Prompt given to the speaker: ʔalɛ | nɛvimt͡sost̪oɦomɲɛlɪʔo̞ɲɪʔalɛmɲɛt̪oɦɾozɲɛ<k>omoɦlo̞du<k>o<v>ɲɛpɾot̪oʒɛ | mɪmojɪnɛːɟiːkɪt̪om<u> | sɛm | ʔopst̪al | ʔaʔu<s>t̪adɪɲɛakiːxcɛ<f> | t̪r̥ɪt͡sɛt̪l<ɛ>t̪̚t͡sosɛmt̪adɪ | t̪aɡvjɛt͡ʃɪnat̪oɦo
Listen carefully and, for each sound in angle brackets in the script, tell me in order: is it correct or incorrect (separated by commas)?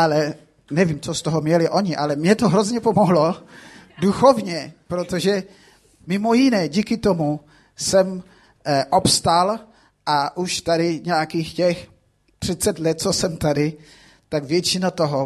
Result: incorrect, incorrect, correct, correct, incorrect, incorrect, correct